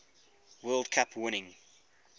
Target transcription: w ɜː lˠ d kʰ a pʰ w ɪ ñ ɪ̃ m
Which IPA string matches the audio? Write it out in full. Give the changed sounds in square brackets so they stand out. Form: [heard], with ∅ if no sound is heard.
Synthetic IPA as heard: w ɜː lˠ d kʰ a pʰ w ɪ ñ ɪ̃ [ŋ]